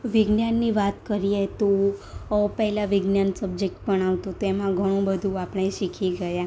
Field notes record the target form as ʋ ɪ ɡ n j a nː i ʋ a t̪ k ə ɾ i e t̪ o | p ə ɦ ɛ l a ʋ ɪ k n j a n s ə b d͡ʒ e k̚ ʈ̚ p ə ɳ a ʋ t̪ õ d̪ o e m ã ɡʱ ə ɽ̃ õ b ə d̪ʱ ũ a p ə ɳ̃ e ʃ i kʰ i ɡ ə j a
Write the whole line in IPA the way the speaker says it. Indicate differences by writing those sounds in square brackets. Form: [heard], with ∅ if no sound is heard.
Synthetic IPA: ʋ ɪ ɡ n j a nː i ʋ a t̪ k ə ɾ i e t̪ o | p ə ɦ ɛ l a ʋ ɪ [ɡ] n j a n s ə b d͡ʒ e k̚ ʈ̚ p ə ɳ a ʋ t̪ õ [t̪] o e m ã ɡʱ ə ɽ̃ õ b ə d̪ʱ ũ a p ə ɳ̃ e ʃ i kʰ i ɡ ə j a

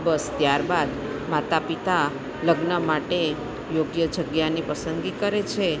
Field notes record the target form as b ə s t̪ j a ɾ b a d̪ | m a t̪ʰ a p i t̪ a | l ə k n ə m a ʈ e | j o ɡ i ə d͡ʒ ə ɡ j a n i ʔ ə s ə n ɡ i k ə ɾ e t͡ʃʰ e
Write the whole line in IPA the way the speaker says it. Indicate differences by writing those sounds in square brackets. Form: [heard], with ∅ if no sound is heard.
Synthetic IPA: b ə s t̪ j a ɾ b a d̪ | m a [t̪] a p i t̪ a | l ə [ɡ] n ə m a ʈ e | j o ɡ [j] ə d͡ʒ ə ɡ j a n i [p] ə s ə n ɡ i k ə ɾ e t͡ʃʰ e

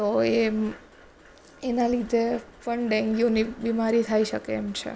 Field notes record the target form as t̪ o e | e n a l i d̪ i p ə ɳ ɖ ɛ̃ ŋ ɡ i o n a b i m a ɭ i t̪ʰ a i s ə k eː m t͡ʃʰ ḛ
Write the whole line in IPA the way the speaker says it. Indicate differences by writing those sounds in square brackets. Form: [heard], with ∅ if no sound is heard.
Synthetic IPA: t̪ o e | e n a l i d̪ [e] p ə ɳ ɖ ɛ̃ ŋ ɡ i o n [i] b i m a [ɾ] i t̪ʰ a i [ʃ] ə k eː m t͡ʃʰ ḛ

